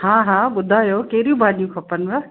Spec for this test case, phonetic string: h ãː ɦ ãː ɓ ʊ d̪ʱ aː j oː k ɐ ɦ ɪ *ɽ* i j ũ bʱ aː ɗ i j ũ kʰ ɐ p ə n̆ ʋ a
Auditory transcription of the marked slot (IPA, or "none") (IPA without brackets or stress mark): ɾ